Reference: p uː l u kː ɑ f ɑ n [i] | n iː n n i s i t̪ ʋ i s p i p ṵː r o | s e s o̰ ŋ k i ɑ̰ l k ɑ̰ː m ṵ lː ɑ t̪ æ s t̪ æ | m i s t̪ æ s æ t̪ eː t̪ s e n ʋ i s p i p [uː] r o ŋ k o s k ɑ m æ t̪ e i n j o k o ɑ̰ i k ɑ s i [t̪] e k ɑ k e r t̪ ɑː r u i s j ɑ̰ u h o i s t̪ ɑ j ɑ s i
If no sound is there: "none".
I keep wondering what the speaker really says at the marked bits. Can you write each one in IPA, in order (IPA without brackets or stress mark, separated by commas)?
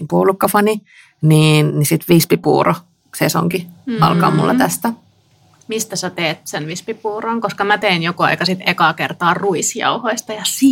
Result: i, uː, t̪